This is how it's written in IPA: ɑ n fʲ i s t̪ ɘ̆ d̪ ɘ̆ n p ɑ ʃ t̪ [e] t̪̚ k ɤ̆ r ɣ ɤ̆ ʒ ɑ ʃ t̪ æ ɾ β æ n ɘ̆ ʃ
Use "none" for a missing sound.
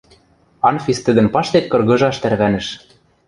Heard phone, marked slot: e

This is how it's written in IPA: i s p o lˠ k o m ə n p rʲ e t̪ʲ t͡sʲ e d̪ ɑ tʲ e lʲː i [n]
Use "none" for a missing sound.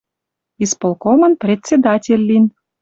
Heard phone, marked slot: n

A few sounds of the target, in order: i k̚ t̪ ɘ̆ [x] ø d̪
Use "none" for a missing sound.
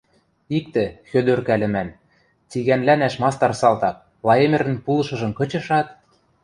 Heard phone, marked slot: x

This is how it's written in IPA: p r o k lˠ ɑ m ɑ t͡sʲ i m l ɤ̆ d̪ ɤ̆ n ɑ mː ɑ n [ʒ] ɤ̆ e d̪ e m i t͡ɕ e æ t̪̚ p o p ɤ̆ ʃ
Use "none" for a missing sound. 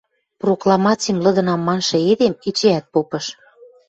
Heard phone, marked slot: ʃ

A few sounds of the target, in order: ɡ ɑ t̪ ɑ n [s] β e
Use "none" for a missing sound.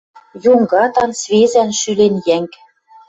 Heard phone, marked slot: s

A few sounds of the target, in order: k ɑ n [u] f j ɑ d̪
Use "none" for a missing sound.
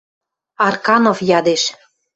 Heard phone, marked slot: o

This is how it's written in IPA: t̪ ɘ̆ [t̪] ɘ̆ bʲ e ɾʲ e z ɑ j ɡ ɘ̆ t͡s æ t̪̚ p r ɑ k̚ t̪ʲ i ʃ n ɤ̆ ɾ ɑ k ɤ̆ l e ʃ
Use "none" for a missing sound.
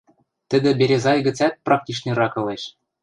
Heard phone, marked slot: d̪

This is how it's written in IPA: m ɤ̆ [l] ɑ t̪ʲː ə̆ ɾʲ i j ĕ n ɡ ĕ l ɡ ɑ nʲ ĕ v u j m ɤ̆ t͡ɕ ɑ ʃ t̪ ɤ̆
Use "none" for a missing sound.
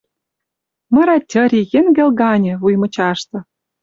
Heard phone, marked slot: ɾ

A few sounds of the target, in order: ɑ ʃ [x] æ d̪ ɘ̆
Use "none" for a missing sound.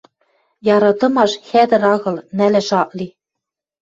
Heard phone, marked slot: x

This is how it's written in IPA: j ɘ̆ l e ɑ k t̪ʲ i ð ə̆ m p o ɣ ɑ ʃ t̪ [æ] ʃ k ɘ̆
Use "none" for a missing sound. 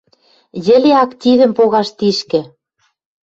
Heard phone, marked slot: i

